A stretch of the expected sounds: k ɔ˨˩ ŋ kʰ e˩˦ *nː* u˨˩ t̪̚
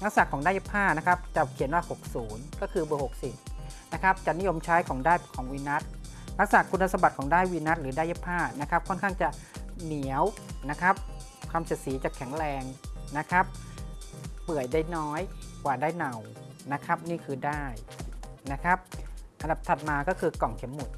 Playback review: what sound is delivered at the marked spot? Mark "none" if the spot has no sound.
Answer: mː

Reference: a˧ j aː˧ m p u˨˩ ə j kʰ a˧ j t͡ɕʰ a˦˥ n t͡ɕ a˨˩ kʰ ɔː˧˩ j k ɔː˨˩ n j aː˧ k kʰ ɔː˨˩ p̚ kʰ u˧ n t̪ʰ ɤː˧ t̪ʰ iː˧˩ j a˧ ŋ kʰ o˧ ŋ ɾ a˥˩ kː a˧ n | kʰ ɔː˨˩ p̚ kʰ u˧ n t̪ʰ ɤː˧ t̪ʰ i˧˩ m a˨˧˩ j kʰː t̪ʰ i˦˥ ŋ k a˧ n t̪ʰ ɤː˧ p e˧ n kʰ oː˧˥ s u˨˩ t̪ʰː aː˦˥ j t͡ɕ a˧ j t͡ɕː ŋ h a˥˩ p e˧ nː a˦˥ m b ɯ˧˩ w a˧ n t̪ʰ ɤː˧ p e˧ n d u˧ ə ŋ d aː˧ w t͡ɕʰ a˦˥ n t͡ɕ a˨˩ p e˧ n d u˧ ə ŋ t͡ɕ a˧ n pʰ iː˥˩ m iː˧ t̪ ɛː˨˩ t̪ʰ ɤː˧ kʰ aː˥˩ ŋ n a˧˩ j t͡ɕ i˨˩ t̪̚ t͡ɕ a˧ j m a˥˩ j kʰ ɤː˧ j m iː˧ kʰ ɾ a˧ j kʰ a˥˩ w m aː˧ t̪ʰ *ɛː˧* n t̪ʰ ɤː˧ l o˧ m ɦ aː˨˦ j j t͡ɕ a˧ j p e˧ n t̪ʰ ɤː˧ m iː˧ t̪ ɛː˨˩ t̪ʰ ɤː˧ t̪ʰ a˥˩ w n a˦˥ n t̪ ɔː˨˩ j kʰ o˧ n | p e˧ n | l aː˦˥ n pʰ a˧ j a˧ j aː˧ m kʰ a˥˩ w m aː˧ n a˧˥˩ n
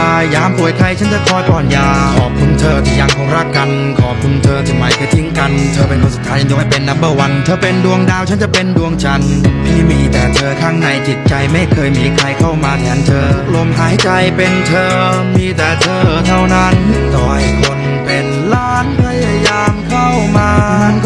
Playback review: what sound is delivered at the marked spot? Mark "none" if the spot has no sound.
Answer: ɛː˩˦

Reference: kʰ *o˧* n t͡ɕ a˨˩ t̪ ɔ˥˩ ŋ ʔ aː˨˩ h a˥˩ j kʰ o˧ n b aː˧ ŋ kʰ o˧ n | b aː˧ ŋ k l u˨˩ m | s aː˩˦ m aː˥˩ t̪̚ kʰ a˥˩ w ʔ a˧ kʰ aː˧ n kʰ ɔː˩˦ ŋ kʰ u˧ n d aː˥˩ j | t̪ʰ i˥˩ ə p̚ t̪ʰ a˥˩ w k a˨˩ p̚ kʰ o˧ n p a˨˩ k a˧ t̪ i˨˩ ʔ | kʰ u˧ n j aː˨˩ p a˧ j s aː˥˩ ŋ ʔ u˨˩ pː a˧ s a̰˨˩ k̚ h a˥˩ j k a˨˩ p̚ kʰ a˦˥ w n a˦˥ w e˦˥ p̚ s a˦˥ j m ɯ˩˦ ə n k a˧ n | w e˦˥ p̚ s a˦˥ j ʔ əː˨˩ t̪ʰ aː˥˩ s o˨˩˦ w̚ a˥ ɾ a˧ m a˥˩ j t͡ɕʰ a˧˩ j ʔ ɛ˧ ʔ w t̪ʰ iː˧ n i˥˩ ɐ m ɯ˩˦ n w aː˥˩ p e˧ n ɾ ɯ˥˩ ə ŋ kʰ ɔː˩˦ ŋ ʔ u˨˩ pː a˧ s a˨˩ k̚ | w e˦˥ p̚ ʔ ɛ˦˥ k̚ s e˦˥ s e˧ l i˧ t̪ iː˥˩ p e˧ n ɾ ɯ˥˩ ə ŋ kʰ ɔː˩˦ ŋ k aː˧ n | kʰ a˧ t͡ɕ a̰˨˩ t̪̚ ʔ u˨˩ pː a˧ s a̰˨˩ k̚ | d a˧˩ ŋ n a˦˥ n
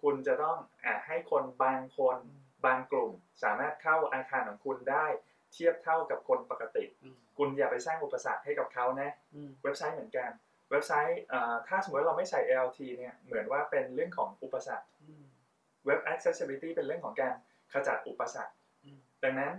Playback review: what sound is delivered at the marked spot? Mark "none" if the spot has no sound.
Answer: u˧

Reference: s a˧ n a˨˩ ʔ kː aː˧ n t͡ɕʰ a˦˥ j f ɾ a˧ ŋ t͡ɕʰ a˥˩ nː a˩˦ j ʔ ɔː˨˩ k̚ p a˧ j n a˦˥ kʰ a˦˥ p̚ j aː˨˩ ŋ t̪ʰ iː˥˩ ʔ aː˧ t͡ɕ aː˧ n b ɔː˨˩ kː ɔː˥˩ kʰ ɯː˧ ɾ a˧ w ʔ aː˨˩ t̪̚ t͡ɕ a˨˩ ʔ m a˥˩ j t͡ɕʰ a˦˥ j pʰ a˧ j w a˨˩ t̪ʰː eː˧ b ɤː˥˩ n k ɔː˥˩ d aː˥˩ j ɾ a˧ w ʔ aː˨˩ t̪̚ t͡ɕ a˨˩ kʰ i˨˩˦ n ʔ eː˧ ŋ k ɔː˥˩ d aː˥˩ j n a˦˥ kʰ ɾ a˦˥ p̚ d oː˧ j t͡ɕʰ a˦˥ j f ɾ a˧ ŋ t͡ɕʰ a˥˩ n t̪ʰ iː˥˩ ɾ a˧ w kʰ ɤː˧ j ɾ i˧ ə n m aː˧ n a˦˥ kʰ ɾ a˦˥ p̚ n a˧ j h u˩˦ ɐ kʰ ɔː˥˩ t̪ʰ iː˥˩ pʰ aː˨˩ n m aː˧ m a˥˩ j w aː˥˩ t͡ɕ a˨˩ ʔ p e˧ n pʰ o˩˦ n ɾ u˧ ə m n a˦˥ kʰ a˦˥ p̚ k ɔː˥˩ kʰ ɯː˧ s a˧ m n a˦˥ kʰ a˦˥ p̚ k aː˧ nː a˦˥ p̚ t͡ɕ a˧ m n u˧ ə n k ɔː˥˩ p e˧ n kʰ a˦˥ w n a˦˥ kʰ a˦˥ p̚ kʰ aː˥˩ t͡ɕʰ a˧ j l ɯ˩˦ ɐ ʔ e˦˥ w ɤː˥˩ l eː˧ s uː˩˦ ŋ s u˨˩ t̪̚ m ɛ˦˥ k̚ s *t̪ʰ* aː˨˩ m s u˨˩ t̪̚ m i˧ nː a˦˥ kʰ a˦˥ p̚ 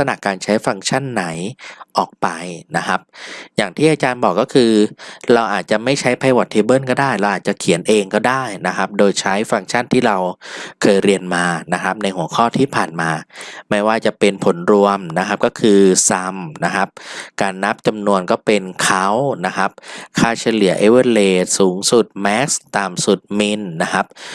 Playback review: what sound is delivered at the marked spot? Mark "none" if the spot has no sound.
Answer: t̪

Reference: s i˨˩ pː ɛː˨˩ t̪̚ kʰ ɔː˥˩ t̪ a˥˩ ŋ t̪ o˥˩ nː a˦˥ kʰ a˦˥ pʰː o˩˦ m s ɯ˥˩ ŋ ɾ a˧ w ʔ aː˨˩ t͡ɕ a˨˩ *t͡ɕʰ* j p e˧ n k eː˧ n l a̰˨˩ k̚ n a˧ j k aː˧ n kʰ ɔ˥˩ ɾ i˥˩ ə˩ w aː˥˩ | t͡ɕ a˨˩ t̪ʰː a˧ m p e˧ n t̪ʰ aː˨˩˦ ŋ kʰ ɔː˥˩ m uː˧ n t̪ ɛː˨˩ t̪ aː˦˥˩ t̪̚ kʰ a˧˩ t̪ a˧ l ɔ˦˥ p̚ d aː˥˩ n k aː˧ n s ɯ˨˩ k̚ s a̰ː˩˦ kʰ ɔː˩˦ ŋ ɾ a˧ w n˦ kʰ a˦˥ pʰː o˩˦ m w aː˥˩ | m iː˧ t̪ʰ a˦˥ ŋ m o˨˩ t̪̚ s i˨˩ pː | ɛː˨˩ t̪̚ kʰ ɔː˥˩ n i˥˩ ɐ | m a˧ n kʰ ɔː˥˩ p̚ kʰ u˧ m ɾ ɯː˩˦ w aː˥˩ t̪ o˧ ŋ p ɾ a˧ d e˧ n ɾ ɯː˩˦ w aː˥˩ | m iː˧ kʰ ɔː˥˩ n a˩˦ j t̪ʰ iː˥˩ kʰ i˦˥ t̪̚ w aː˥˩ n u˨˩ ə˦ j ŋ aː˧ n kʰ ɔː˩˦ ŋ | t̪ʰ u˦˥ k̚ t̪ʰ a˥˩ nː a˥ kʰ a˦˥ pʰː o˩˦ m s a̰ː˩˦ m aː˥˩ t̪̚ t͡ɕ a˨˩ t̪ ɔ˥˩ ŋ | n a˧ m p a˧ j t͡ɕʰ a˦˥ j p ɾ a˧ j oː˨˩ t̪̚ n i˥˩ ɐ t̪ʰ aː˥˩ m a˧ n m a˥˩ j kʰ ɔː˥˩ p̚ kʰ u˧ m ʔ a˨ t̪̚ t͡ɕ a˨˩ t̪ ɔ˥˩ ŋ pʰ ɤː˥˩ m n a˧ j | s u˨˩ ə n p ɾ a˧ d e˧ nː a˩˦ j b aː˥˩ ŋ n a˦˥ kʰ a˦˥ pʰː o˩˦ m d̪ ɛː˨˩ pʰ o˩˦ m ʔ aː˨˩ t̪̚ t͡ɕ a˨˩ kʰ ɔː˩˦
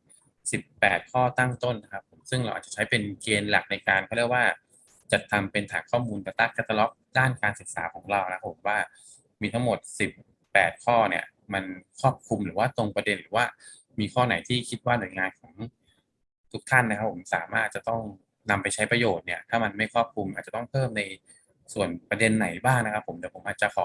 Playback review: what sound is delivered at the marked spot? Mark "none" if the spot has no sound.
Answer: t͡ɕʰ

